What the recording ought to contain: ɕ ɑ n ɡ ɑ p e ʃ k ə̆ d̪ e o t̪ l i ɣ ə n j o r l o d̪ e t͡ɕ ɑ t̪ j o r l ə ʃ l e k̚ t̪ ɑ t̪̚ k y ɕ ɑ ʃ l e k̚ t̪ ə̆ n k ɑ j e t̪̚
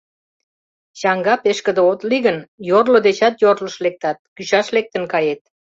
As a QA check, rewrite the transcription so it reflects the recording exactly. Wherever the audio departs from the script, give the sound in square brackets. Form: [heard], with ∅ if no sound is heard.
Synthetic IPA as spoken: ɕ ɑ [ŋ] ɡ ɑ p e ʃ k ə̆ d̪ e o t̪ l i ɣ ə n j o r l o d̪ e t͡ɕ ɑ t̪ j o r l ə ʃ l e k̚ t̪ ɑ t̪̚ k y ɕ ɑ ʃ l e k̚ t̪ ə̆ n k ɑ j e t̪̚